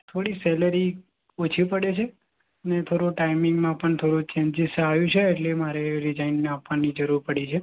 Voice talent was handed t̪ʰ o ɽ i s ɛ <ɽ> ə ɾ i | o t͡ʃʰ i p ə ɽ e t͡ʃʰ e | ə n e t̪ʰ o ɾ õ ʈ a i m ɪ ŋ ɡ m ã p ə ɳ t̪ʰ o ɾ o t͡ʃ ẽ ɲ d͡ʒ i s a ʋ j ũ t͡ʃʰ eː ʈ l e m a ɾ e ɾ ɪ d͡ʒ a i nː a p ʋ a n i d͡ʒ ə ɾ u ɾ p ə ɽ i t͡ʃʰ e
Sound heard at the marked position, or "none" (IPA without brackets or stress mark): l